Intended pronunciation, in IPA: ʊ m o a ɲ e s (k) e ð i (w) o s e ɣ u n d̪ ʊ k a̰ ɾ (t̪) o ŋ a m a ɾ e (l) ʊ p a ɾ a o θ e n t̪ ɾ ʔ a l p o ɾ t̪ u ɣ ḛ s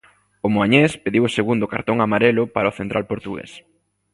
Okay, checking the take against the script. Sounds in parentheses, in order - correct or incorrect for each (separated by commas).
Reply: incorrect, correct, correct, correct